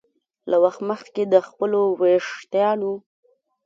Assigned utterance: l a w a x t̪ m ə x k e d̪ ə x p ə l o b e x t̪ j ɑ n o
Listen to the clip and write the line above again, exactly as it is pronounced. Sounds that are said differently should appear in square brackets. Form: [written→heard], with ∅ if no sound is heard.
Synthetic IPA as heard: l a w a x t̪ m ə x k e d̪ ə x p ə l o [b→w] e [x→ʂ] t̪ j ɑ n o